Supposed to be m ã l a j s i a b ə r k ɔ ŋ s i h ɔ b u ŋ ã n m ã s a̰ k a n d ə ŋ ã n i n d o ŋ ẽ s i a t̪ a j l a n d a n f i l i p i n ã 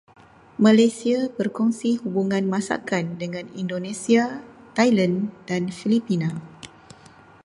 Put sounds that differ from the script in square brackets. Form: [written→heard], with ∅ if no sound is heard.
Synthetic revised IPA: m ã l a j s i a b ə r k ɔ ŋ s i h [ɔ→u] b u ŋ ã n m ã s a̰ k a n d ə ŋ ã n i n d o [ŋ→n] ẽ s i a t̪ a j l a n d a n f i l i p i n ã